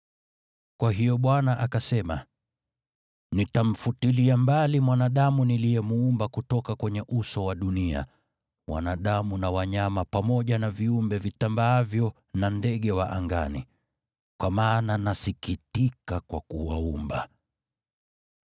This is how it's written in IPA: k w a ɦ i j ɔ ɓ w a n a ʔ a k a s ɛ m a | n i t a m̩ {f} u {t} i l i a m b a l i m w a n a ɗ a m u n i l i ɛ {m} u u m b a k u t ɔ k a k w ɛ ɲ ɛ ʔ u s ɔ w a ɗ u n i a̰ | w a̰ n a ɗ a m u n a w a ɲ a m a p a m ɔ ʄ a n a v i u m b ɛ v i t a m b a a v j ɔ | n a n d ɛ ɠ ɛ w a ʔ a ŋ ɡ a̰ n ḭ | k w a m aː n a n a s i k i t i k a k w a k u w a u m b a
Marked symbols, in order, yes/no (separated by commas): yes, yes, yes